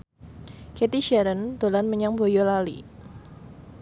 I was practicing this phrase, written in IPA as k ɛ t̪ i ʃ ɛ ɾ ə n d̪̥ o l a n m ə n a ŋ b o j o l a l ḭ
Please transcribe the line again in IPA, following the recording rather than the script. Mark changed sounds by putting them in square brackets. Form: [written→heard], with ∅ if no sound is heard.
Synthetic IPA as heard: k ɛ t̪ i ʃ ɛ ɾ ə n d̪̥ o l a n m ə [n→ɲ] a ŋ b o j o l a l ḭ